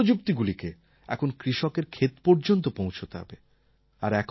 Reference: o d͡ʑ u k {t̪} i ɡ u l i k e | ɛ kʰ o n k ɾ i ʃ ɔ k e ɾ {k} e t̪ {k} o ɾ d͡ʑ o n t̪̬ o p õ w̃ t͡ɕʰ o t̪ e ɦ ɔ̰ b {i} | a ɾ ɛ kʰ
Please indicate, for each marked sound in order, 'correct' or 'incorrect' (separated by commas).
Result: correct, incorrect, incorrect, incorrect